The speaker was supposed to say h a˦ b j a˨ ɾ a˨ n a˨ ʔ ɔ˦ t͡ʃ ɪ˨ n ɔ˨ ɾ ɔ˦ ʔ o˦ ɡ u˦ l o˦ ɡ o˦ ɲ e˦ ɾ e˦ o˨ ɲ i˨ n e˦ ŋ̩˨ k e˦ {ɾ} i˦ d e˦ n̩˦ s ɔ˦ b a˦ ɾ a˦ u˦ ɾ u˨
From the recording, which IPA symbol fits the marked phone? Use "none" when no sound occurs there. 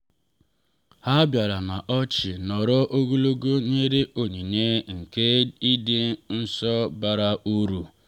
none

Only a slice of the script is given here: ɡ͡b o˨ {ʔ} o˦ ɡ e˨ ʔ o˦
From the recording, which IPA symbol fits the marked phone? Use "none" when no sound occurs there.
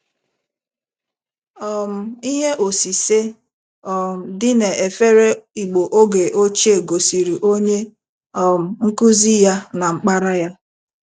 ʔ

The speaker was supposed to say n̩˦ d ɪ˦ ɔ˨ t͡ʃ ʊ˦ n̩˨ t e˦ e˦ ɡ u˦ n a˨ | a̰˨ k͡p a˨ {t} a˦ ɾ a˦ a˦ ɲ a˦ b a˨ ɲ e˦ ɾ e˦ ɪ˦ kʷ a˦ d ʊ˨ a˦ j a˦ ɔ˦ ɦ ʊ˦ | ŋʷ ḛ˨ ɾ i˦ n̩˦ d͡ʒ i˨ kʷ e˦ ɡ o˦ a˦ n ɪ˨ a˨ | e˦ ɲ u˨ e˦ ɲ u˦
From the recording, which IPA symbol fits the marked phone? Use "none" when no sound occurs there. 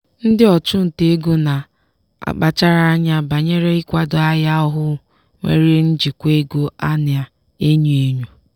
t͡ʃ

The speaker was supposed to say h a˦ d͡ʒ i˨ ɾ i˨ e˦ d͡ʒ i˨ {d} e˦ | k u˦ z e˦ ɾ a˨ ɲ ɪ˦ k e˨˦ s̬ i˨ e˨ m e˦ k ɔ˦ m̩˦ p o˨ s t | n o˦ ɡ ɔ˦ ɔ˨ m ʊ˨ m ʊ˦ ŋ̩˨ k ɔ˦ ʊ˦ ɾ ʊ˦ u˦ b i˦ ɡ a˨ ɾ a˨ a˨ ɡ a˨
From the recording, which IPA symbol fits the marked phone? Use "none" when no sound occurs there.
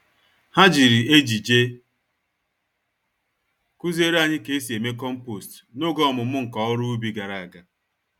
d͡ʒ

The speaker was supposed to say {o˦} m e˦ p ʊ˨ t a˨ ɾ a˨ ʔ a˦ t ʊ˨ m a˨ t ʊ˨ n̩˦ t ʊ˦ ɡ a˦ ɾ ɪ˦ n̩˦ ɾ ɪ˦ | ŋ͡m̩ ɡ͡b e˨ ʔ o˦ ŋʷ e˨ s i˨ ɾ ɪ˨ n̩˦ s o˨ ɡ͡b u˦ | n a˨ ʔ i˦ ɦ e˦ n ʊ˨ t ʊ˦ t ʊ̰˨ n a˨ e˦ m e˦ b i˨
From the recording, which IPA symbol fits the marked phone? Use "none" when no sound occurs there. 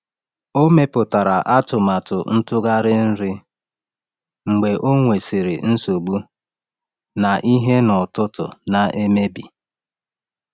o˦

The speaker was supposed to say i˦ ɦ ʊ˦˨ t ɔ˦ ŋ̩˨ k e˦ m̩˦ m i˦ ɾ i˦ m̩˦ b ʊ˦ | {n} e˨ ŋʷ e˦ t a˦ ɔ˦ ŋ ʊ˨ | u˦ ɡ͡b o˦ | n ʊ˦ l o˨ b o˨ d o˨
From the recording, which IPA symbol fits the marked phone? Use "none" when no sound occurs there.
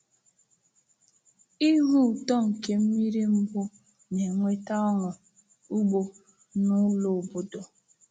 n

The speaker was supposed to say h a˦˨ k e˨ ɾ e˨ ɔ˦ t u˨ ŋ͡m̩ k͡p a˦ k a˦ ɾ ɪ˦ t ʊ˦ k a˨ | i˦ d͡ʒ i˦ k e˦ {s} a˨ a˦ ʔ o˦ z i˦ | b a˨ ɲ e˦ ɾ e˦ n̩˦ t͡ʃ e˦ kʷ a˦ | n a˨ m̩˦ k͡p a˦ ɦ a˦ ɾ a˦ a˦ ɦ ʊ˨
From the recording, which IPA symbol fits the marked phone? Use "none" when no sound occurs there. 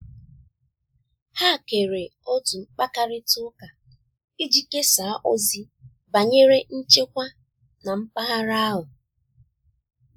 s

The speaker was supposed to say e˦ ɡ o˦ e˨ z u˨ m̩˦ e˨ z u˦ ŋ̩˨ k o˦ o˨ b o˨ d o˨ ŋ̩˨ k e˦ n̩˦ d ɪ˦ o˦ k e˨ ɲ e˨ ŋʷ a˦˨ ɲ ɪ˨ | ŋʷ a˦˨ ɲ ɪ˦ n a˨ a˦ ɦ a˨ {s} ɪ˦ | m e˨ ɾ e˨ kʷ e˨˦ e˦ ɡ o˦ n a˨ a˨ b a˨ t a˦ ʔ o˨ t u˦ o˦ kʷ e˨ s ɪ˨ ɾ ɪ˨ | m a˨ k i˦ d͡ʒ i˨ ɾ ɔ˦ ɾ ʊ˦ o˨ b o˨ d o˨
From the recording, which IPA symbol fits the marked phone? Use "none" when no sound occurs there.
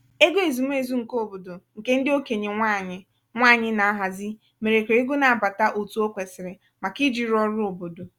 z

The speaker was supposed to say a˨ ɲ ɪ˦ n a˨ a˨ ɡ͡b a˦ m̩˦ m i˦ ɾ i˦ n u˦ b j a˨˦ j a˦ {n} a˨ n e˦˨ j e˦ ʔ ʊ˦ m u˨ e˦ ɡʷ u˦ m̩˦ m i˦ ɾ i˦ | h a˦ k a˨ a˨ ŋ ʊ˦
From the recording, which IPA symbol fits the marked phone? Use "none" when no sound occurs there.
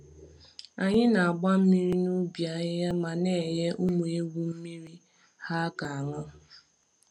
m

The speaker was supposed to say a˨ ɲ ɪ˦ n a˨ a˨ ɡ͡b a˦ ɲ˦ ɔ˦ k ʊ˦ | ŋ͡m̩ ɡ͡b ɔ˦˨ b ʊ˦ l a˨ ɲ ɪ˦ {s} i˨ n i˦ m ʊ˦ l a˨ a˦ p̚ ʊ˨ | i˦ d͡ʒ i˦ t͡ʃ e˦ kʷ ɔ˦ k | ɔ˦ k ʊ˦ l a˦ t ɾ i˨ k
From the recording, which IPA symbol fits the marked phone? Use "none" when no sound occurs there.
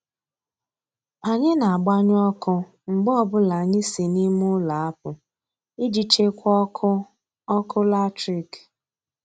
s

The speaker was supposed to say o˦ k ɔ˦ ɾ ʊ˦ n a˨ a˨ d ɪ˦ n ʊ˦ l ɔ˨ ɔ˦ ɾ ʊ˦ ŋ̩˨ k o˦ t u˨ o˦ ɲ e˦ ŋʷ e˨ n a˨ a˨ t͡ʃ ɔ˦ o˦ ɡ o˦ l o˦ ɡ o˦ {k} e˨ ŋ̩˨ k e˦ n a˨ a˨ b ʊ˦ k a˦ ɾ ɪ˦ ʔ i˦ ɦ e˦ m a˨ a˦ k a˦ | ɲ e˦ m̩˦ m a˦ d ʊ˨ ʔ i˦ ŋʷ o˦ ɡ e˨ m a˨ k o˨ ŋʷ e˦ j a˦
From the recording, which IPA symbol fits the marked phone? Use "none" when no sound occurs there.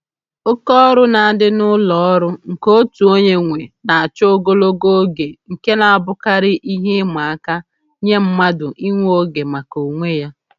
ɡ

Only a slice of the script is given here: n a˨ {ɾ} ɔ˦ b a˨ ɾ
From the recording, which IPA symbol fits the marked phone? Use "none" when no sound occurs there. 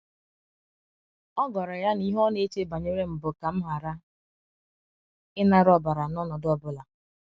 ɾ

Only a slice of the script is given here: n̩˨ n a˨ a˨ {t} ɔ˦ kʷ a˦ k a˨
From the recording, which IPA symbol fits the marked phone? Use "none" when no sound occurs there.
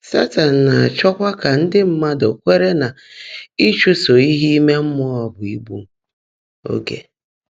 t͡ʃ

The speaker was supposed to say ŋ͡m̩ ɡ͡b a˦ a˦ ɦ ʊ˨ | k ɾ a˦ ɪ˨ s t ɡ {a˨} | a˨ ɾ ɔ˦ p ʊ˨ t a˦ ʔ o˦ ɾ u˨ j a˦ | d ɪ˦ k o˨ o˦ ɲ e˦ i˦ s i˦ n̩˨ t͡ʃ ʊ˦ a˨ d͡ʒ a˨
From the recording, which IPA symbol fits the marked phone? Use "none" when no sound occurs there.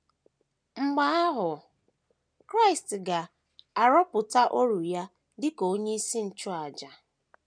a˨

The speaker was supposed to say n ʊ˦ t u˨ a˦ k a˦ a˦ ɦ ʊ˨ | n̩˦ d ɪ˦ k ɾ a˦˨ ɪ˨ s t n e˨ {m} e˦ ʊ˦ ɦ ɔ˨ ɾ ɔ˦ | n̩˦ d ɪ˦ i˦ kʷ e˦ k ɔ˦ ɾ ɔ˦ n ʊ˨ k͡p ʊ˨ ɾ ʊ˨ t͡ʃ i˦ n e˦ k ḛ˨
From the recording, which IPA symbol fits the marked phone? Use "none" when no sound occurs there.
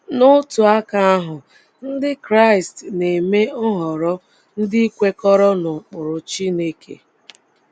m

